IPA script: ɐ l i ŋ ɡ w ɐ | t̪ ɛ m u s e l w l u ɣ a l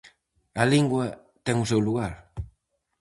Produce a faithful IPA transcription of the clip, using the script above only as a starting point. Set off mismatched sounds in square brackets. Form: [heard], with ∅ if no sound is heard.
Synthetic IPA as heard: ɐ l i ŋ ɡ w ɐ | t̪ ɛ [ŋ] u s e [∅] w l u ɣ a [ɾ]